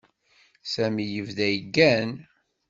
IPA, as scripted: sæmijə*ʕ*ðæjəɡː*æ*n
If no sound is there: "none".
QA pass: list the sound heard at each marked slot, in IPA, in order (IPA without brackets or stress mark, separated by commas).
v, æ